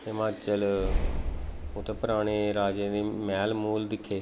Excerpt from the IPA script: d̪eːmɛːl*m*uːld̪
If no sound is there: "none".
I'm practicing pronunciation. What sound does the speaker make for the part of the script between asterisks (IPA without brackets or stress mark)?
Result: m